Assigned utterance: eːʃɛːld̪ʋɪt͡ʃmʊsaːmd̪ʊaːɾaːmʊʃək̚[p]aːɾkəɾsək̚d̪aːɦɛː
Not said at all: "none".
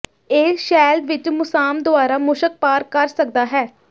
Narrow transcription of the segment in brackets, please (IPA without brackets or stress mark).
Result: p